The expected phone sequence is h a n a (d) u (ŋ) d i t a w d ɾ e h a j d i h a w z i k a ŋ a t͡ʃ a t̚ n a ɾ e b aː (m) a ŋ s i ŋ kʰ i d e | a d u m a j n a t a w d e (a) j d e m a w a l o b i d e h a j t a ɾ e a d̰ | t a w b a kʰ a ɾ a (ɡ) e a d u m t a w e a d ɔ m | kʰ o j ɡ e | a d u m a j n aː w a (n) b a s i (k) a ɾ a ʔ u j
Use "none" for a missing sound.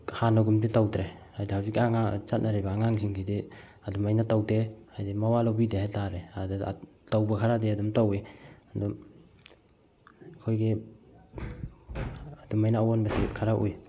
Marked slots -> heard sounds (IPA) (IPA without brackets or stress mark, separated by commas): ɡ, m, ŋ, a, d, n, kʰ